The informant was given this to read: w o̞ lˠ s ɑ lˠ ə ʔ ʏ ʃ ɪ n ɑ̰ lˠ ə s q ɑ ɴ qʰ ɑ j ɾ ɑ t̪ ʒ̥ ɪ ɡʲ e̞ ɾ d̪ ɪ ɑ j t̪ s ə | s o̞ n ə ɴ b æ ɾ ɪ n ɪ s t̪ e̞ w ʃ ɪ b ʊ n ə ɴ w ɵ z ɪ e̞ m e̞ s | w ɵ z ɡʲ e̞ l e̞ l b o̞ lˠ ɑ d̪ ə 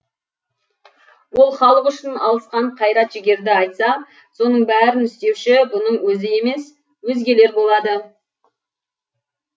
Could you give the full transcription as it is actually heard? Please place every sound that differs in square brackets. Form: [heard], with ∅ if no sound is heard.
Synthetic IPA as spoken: w o̞ lˠ [χ] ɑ lˠ ə [q] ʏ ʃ ɪ n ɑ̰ lˠ ə s q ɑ ɴ qʰ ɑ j ɾ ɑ t̪ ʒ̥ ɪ ɡʲ e̞ ɾ d̪ ɪ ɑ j t̪ s [ɑ] | s o̞ n ə ɴ b æ ɾ ɪ n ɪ s t̪ e̞ w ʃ ɪ b ʊ n ə ɴ w ɵ z ɪ e̞ m e̞ s | w ɵ z ɡʲ e̞ l e̞ [ɾ] b o̞ lˠ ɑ d̪ ə

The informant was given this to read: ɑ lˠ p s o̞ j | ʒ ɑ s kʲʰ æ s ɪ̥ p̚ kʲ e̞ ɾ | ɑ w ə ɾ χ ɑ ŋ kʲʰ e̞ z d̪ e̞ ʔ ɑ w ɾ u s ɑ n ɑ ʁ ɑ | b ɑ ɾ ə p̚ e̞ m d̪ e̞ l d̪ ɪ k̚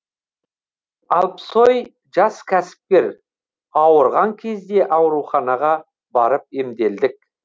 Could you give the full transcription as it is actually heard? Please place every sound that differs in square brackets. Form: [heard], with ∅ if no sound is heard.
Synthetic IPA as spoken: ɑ lˠ p s o̞ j | ʒ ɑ s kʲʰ æ s ɪ̥ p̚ kʲ e̞ ɾ | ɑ w ə ɾ [ʁ] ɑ ŋ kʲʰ e̞ z d̪ e̞ ʔ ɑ w ɾ u [χ] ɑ n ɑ ʁ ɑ | b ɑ ɾ ə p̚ e̞ m d̪ e̞ l d̪ ɪ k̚

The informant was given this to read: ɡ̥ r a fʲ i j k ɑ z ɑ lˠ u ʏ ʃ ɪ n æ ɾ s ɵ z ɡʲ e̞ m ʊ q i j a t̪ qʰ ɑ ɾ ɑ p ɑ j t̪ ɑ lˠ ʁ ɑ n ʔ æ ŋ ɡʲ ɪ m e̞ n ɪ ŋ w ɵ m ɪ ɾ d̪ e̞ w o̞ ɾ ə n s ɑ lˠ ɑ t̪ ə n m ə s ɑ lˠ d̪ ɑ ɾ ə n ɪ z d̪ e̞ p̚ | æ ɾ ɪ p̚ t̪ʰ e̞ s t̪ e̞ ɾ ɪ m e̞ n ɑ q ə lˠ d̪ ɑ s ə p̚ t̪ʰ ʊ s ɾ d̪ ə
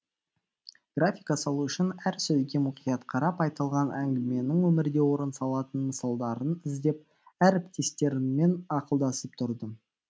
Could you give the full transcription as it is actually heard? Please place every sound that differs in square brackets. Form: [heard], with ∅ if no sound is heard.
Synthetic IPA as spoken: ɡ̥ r a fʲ i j k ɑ [s] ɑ lˠ u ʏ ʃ ɪ n æ ɾ s ɵ z ɡʲ e̞ m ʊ q i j [ɑ] t̪ qʰ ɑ ɾ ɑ p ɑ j t̪ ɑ lˠ ʁ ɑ n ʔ æ ŋ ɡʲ ɪ m e̞ n ɪ ŋ w ɵ m ɪ ɾ d̪ e̞ w o̞ ɾ ə n s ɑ lˠ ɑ t̪ ə n m ə s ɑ lˠ d̪ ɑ ɾ ə n ɪ z d̪ e̞ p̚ | æ ɾ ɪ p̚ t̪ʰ e̞ s t̪ e̞ ɾ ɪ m e̞ n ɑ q ə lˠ d̪ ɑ s ə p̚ t̪ʰ ʊ [∅] ɾ d̪ ə

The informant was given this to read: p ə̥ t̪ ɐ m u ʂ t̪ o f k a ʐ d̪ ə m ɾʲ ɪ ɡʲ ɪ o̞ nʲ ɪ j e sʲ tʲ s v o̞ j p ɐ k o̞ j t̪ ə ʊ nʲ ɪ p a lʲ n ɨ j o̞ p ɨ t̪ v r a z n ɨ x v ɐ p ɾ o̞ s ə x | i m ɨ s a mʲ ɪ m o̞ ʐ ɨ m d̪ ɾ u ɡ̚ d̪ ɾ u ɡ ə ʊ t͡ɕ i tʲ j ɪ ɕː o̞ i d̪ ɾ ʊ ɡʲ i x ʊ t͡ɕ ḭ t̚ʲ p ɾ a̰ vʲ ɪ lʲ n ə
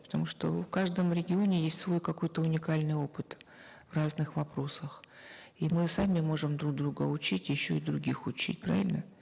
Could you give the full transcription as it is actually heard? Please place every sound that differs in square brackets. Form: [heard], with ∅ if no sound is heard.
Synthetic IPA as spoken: p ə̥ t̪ ɐ m u ʂ t̪ o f k a ʐ d̪ ə m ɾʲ ɪ ɡʲ ɪ o̞ nʲ ɪ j e sʲ tʲ s v o̞ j [k] ɐ k o̞ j t̪ ə ʊ nʲ ɪ [k] a lʲ n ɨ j o̞ p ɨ t̪ v r a z n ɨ x v ɐ p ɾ o̞ s ə x | i m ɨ s a mʲ ɪ m o̞ ʐ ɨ m d̪ ɾ u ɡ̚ d̪ ɾ u ɡ ə ʊ t͡ɕ i tʲ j ɪ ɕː o̞ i d̪ ɾ ʊ ɡʲ i x ʊ t͡ɕ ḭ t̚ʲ p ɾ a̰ vʲ ɪ lʲ n ə

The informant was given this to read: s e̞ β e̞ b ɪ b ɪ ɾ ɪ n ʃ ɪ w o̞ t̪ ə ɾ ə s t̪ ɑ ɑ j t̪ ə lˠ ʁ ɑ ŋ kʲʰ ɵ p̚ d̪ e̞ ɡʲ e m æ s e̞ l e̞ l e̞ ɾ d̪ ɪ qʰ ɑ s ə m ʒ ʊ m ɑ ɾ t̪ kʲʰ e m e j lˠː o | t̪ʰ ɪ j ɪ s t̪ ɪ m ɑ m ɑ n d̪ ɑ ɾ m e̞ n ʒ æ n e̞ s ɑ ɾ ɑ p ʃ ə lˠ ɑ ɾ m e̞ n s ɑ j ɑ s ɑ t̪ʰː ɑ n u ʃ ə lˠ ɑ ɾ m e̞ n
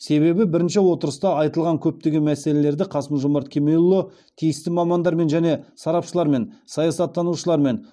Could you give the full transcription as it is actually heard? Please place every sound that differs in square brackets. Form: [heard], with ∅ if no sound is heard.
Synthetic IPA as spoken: s e̞ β e̞ b ɪ b ɪ ɾ ɪ n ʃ ɪ w o̞ t̪ ə ɾ ə s t̪ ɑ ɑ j t̪ ə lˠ ʁ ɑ ŋ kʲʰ ɵ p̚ [t̪] e̞ ɡʲ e m æ s e̞ l e̞ l e̞ ɾ d̪ ɪ qʰ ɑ s ə m ʒ ʊ m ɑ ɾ t̪ kʲʰ e m e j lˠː o | t̪ʰ [i] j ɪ s t̪ ɪ m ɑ m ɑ n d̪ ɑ ɾ m e̞ n ʒ æ n e̞ s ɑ ɾ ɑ p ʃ ə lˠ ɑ ɾ m e̞ n s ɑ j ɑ s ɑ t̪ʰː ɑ n u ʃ ə lˠ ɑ ɾ m e̞ n

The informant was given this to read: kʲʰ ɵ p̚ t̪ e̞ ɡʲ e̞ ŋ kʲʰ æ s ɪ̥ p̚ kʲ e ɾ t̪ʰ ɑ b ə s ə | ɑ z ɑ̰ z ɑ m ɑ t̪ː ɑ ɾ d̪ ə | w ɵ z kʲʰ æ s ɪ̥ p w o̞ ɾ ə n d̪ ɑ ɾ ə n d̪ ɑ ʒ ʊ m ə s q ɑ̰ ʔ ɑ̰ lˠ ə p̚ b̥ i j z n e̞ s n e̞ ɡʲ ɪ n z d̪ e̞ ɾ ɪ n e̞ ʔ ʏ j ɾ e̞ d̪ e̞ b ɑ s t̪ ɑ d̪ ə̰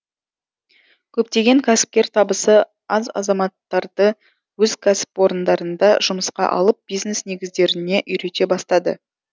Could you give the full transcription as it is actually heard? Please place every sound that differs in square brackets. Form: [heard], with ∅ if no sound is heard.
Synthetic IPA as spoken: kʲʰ ɵ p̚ t̪ e̞ ɡʲ e̞ ŋ kʲʰ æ s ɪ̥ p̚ kʲ e ɾ t̪ʰ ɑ b ə s ə | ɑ z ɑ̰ z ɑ m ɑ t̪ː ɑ ɾ d̪ ə | w ɵ z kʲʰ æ s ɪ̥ p w o̞ ɾ ə n d̪ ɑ ɾ ə n d̪ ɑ ʒ ʊ m ə s q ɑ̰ ʔ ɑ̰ lˠ ə p̚ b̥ i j z n e̞ s n e̞ ɡʲ ɪ [∅] z d̪ e̞ ɾ ɪ n e̞ ʔ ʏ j ɾ e̞ [t̪] e̞ b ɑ s t̪ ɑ d̪ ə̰

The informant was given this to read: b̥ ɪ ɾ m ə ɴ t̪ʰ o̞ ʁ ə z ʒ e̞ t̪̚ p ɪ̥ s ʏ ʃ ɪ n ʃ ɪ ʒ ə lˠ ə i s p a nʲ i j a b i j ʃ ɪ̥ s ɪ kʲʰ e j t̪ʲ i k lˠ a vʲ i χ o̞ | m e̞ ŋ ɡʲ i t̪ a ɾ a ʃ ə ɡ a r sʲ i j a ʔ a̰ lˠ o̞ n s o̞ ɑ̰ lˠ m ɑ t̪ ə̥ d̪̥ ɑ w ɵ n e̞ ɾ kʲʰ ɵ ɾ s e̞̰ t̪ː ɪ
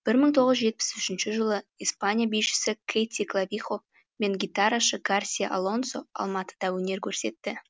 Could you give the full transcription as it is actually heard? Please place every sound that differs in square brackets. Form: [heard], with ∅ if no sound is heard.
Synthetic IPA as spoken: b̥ ɪ ɾ m ə ɴ t̪ʰ o̞ ʁ ə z ʒ e̞ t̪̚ p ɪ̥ s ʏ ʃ ɪ n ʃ ɪ ʒ ə lˠ ə i s p a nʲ i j a b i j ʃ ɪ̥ s ɪ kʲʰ e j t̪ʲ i k lˠ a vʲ i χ o̞ | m e̞ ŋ ɡʲ i t̪ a ɾ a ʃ ə ɡ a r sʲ i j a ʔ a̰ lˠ o̞ n s o̞ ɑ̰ lˠ m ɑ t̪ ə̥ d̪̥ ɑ w ɵ n e̞ ɾ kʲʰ ɵ ɾ s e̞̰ t̪ː ɪ

